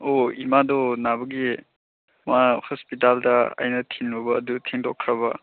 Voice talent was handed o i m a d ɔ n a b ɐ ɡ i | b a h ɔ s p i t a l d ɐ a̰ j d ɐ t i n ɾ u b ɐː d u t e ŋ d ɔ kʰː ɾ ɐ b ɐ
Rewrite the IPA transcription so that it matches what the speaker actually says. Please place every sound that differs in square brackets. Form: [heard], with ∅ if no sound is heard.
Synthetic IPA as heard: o i m a d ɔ n a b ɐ ɡ i | [m] a h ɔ s p i t a l d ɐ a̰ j [n] ɐ [tʰ] i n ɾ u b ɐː d u [tʰ] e ŋ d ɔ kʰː ɾ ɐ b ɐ

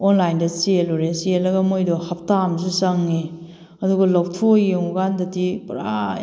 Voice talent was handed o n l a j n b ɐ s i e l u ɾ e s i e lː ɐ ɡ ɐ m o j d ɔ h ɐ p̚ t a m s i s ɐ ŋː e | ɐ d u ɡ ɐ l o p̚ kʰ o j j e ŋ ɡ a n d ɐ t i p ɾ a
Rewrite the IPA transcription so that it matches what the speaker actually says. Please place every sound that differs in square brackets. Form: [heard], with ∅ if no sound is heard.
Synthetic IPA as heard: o n l a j n [d] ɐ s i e l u ɾ e s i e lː ɐ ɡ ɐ m o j d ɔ h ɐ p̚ t a m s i s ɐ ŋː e | ɐ d u ɡ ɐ l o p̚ [tʰ] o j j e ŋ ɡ a n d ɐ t i p ɾ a

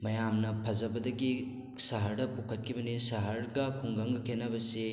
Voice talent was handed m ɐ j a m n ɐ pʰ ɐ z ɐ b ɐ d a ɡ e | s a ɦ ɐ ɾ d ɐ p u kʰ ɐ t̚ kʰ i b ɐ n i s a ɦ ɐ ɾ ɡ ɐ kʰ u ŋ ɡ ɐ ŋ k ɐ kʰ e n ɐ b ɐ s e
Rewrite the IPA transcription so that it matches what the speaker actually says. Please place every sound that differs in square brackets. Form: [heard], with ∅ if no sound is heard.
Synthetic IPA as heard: m ɐ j a m n ɐ pʰ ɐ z ɐ b ɐ d [ɐ] ɡ [i] | s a ɦ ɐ ɾ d ɐ p u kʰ ɐ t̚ kʰ i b ɐ n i s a ɦ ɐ ɾ ɡ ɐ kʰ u ŋ ɡ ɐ ŋ [ɡ] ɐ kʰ e n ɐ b ɐ s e

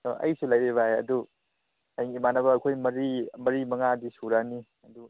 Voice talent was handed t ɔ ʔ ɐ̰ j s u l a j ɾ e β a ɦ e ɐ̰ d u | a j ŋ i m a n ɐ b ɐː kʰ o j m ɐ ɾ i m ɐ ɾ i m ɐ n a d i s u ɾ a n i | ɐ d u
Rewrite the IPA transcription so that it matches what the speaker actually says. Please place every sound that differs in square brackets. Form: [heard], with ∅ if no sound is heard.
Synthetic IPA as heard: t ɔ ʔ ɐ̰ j s u l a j ɾ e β a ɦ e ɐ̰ d u | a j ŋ i m a n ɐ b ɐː kʰ o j m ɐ ɾ i m ɐ ɾ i m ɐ [ŋ] a d i s u ɾ a n i | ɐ d u

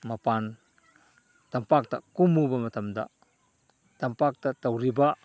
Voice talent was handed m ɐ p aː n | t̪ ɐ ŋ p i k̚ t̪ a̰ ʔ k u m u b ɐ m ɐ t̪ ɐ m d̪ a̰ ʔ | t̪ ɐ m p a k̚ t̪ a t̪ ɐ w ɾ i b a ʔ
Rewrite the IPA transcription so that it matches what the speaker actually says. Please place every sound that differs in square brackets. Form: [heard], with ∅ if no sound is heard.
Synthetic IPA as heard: m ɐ p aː n | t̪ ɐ [m] p [a] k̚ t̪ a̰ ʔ k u m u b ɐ m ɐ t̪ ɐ m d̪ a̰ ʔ | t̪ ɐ m p a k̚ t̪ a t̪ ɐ w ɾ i b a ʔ

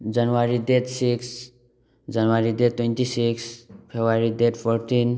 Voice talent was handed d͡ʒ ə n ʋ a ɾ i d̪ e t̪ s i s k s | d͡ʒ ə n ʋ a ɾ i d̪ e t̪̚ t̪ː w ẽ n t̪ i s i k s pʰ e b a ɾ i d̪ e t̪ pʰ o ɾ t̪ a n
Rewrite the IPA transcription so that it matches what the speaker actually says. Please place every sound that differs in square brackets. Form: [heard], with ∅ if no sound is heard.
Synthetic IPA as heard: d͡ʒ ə n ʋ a ɾ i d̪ e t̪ s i [∅] k s | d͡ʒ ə n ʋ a ɾ i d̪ e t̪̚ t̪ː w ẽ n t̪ i s i k s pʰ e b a ɾ i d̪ e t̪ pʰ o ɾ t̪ [i] n

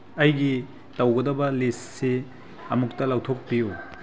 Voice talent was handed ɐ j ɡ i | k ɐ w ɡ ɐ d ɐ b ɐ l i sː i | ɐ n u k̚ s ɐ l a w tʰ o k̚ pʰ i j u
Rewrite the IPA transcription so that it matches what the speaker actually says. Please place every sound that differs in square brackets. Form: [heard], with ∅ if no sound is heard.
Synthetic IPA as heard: ɐ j ɡ i | [t] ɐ w ɡ ɐ d ɐ b ɐ l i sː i | ɐ [m] u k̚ [t] ɐ l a w tʰ o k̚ [p] i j u

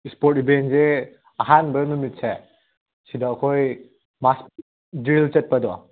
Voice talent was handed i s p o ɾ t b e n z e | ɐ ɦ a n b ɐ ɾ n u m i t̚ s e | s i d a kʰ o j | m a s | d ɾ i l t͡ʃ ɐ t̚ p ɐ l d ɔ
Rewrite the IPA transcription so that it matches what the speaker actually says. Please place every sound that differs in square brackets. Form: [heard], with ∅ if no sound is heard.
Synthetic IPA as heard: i s p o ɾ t b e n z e | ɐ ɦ a n b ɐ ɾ n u m i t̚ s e | s i d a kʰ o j | m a s | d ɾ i l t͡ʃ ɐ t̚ p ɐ [∅] d ɔ

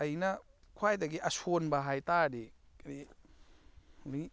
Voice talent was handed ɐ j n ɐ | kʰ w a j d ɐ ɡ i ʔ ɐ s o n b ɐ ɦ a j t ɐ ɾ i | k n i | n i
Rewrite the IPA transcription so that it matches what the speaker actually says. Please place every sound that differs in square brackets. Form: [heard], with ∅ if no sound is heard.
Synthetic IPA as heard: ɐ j n ɐ | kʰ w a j d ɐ ɡ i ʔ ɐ s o n b ɐ ɦ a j t [a] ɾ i | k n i | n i

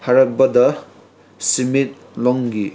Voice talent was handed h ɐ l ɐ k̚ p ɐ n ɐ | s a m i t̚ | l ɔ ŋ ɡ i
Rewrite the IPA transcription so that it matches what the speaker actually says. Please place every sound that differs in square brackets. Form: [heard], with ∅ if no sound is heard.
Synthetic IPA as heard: h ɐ [ɾ] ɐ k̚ [b] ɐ [d] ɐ | s [i] m i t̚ | l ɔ ŋ ɡ i

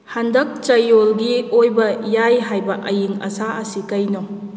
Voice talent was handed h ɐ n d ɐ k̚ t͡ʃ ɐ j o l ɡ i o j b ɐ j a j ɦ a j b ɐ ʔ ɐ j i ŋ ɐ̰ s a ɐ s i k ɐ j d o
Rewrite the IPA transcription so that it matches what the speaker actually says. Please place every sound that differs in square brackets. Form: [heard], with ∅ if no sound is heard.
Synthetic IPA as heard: h [a] n d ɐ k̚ t͡ʃ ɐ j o l ɡ i o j b ɐ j a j ɦ a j b ɐ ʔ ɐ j i ŋ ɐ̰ s a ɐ s i k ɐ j [n] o

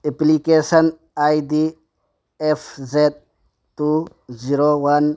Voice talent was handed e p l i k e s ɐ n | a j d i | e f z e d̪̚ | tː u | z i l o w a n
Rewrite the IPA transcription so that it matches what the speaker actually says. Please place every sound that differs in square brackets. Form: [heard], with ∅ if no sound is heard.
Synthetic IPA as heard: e p l i k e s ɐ n | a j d i | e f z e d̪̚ | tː u | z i [ɾ] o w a n

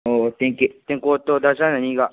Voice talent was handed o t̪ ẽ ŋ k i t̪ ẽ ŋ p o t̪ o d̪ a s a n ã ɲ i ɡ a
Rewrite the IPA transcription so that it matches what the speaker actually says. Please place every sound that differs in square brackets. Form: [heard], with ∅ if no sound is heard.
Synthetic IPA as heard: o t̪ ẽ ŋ k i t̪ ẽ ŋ [k] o t̪ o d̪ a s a n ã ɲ i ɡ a

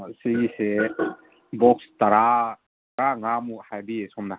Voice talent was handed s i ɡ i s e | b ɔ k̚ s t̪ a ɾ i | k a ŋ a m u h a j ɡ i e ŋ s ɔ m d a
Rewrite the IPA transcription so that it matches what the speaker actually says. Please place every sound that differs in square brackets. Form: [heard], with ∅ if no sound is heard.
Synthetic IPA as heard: s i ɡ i s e | b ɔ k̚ s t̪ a ɾ [a] | k a ŋ a m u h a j [b] i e [∅] s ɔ m [n] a

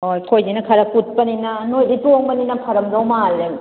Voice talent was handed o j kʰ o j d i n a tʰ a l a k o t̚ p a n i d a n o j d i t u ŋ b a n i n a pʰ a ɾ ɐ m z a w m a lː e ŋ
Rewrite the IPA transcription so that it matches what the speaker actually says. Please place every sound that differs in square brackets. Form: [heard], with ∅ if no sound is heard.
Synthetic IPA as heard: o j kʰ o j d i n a [kʰ] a [ɾ] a k [u] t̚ p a n i [n] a n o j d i t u ŋ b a n i n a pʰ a ɾ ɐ m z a w m a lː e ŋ

